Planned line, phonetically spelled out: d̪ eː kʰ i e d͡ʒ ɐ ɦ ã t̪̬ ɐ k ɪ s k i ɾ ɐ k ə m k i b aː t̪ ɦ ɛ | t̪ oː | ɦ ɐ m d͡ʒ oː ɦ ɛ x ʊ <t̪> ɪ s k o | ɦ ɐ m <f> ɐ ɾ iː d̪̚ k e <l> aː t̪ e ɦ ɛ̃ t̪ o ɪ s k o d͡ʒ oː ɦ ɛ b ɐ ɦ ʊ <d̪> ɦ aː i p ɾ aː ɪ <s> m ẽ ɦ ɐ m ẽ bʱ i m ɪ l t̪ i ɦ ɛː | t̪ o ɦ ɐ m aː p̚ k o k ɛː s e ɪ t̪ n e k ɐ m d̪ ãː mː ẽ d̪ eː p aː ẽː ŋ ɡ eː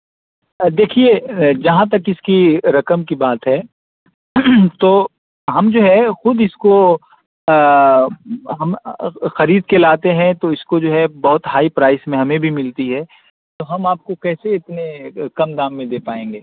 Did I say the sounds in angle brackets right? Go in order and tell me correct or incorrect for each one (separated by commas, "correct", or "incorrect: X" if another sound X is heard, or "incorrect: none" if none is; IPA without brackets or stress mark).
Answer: incorrect: d̪, incorrect: x, correct, incorrect: t̪, correct